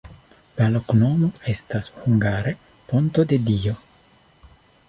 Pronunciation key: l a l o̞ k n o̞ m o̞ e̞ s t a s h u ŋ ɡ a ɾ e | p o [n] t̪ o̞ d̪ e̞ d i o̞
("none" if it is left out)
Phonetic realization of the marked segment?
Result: n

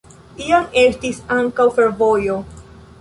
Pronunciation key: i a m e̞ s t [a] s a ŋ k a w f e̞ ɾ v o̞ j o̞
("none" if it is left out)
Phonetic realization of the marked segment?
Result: i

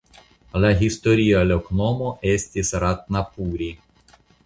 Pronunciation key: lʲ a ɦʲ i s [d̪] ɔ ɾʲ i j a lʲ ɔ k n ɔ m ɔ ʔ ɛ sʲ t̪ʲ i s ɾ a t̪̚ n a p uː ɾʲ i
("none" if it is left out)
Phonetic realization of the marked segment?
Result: t̪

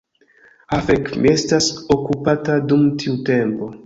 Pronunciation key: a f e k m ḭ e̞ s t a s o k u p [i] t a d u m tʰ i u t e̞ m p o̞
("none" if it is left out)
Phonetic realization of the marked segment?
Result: a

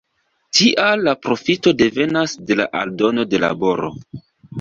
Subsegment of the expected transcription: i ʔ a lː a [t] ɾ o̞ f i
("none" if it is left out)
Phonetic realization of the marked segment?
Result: p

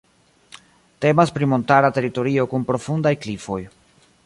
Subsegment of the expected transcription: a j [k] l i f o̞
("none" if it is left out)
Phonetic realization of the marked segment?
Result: k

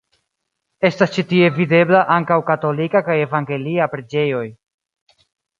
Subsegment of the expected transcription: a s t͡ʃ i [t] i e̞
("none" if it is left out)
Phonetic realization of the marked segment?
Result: t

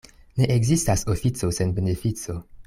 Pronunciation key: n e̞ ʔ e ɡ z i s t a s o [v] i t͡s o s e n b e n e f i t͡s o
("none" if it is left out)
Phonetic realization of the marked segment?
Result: f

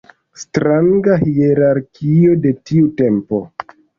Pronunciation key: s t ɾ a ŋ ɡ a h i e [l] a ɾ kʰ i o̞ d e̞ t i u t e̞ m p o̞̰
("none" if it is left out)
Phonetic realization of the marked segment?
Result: ɾ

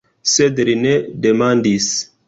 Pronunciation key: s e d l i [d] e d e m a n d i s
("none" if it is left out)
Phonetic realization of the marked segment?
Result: n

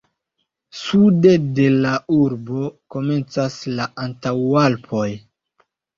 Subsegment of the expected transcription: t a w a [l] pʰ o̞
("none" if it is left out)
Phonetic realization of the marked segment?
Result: l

